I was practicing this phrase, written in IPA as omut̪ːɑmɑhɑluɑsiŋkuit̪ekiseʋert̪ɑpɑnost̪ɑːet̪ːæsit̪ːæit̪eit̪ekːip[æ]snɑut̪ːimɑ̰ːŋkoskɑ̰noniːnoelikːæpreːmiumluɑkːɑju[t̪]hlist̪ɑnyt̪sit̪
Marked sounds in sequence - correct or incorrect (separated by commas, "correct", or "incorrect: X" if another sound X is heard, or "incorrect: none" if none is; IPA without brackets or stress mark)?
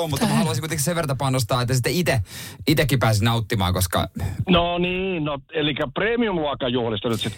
incorrect: æː, incorrect: none